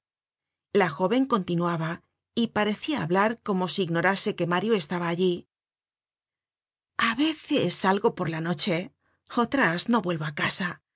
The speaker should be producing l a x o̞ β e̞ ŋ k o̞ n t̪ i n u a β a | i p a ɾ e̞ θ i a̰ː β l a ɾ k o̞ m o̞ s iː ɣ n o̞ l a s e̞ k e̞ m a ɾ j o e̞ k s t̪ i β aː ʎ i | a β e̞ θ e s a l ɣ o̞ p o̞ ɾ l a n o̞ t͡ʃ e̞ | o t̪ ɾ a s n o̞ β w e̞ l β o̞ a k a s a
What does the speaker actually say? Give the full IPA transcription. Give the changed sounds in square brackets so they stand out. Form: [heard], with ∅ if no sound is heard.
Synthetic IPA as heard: l a x o̞ β e̞ ŋ k o̞ n t̪ i n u a β a | i p a ɾ e̞ θ i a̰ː β l a ɾ k o̞ m o̞ s iː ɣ n o̞ [ɾ] a s e̞ k e̞ m a ɾ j o e̞ [∅] s t̪ [a] β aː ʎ i | a β e̞ θ e s a l ɣ o̞ p o̞ ɾ l a n o̞ t͡ʃ e̞ | o t̪ ɾ a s n o̞ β w e̞ l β o̞ a k a s a